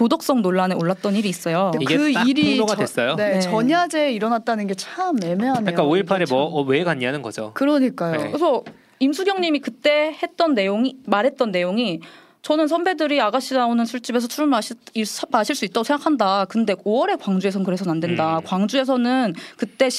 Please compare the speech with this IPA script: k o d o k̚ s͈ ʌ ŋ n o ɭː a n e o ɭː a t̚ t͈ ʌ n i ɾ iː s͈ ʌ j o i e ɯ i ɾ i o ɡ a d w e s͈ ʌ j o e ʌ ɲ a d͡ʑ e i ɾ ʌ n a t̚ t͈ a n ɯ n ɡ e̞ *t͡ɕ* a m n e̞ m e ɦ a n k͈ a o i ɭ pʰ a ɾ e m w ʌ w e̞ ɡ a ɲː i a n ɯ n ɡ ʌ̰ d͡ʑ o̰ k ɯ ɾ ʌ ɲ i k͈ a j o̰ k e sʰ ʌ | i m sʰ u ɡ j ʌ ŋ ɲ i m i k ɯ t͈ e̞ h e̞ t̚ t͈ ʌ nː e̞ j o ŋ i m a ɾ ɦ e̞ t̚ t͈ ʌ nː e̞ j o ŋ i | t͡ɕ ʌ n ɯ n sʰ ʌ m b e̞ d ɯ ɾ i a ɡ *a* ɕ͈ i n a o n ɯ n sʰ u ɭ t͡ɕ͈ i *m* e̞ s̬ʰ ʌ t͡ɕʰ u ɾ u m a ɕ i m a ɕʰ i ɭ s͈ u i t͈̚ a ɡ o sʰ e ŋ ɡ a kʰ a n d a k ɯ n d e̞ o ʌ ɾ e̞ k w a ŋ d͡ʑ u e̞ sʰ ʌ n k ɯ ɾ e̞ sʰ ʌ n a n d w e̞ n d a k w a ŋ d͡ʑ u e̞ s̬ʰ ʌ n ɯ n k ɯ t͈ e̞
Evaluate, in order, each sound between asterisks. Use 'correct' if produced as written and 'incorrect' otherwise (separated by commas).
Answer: incorrect, correct, incorrect